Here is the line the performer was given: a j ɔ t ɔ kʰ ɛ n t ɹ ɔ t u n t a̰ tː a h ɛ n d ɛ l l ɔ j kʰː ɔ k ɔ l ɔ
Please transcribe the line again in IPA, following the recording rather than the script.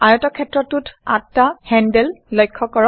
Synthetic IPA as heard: a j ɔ t ɔ kʰ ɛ t ɹ ɔ t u t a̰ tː a h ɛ n d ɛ l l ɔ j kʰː ɔ k ɔ ɹ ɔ